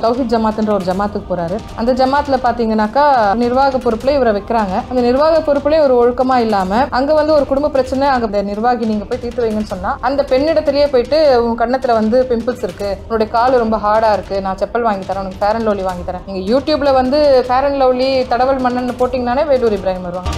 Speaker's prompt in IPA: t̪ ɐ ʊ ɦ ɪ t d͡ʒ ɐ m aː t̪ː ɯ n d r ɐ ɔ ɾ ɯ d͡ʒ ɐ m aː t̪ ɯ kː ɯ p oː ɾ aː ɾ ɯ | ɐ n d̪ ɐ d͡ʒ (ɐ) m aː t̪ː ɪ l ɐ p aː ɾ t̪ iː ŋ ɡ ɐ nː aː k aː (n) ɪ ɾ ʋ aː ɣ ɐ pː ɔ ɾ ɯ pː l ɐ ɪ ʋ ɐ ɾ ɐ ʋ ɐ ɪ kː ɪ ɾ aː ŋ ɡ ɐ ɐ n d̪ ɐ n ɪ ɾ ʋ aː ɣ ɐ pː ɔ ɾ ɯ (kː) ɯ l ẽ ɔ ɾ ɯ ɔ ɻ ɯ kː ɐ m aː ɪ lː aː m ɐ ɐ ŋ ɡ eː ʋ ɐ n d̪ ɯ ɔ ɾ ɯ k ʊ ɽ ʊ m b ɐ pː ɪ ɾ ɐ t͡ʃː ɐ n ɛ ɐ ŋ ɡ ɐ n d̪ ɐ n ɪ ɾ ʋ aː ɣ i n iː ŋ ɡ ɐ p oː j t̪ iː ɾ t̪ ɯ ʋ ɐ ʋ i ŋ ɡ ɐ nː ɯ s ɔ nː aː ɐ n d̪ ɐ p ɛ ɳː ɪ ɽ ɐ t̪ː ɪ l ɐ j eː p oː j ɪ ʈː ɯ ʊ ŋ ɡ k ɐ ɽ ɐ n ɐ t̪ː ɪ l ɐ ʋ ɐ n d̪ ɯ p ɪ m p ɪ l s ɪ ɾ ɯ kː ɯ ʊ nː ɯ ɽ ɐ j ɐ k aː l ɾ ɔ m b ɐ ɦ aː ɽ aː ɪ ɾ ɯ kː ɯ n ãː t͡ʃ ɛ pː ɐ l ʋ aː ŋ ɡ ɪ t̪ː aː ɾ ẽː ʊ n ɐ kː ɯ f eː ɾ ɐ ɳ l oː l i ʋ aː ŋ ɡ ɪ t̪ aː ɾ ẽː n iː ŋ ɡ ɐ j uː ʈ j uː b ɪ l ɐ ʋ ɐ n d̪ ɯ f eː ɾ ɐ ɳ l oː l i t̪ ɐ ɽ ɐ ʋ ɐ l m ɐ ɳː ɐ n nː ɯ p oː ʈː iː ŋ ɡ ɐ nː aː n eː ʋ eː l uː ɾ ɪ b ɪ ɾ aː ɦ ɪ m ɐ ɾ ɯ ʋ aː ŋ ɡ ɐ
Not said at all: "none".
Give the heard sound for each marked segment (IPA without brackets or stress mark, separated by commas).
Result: ɐ, n, pː